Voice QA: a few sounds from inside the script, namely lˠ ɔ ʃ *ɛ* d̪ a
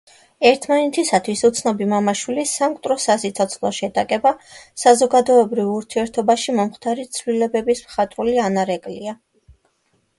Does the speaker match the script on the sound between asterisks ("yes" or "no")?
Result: yes